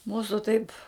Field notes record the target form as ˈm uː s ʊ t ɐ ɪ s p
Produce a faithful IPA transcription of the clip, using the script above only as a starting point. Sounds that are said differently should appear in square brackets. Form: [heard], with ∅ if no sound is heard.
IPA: ˈm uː s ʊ t ɐ ɪ [∅] p

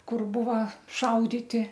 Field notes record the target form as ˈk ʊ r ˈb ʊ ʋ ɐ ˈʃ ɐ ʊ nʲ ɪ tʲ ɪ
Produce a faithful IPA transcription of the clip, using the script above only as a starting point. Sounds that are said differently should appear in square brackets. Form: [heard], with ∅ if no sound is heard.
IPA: ˈk ʊ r ˈb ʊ ʋ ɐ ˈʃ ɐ ʊ [dʲ] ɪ tʲ ɪ

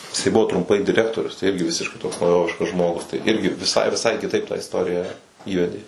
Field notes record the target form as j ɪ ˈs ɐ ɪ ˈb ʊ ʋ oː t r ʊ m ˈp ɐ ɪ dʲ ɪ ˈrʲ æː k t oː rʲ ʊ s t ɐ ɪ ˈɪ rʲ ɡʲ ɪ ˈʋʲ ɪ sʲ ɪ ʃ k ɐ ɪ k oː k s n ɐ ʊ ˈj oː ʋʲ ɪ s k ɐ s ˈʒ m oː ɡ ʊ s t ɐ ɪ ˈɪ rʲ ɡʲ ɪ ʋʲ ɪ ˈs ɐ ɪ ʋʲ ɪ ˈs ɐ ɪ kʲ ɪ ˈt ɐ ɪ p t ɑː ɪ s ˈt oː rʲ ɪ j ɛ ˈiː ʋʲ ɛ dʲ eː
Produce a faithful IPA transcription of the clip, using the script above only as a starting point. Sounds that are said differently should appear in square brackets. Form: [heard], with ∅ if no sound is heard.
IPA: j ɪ ˈs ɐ ɪ ˈb ʊ ʋ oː t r ʊ m ˈp ɐ ɪ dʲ ɪ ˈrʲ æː k t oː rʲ ʊ s t ɐ ɪ ˈɪ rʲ ɡʲ ɪ ˈʋʲ ɪ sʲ ɪ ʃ k ɐ ɪ [t] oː k s n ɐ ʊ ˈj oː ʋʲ ɪ [ʃ] k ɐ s ˈʒ m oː ɡ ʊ s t ɐ ɪ ˈɪ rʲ ɡʲ ɪ ʋʲ ɪ ˈs ɐ ɪ ʋʲ ɪ ˈs ɐ ɪ kʲ ɪ ˈt ɐ ɪ p t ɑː ɪ s ˈt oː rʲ ɪ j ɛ ˈiː ʋʲ ɛ dʲ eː

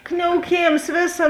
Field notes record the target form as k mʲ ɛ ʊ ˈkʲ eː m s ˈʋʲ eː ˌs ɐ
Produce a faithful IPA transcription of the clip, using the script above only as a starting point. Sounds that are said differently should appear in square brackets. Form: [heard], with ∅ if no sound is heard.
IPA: k [nʲ] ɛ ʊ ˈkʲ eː m s ˈʋʲ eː ˌs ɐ

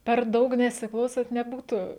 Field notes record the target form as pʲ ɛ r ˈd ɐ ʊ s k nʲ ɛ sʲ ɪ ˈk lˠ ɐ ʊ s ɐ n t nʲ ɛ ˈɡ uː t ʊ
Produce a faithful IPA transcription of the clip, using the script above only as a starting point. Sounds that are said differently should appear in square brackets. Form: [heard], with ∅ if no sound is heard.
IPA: pʲ ɛ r ˈd ɐ ʊ [∅] k nʲ ɛ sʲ ɪ ˈk lˠ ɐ ʊ s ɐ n t nʲ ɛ [ˈb] uː t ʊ

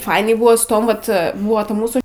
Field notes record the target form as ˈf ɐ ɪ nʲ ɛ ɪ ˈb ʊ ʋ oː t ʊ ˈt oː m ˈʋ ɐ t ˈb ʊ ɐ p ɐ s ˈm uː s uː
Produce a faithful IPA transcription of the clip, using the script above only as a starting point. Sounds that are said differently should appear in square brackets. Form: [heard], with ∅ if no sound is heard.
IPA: ˈf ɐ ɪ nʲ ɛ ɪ ˈb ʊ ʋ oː [s] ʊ ˈt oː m ˈʋ ɐ t ˈb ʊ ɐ [t] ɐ [∅] ˈm uː s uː

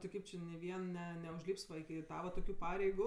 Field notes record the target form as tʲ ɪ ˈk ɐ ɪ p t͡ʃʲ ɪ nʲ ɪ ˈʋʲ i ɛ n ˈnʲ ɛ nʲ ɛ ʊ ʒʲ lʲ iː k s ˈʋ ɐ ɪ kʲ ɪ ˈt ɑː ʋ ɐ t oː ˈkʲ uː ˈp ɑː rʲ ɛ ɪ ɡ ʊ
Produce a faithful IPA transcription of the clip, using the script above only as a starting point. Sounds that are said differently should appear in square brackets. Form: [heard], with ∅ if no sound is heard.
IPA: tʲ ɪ ˈk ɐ ɪ p t͡ʃʲ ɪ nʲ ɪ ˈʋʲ i ɛ n ˈnʲ ɛ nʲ ɛ ʊ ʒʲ lʲ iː [p] s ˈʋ ɐ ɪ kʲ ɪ ˈt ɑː ʋ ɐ t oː ˈkʲ uː ˈp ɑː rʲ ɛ ɪ ɡ ʊ

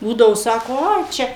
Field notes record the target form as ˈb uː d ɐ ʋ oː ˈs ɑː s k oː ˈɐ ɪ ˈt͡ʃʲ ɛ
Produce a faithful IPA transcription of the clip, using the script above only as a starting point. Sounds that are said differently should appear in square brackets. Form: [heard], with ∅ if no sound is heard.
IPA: ˈb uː d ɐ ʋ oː ˈs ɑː [∅] k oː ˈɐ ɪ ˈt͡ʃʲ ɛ

